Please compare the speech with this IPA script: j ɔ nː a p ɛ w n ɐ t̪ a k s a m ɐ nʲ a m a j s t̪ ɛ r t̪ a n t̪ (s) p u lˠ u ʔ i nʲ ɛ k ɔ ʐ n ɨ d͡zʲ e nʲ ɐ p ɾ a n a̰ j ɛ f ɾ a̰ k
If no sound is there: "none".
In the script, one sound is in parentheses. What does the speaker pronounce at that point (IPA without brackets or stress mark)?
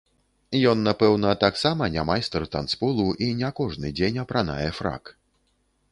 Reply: s